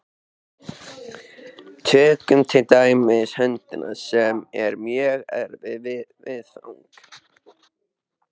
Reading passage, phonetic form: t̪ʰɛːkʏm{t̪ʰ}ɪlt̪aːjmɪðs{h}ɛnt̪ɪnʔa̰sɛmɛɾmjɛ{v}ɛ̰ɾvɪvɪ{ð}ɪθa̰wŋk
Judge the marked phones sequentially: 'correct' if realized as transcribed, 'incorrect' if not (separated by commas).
correct, correct, incorrect, incorrect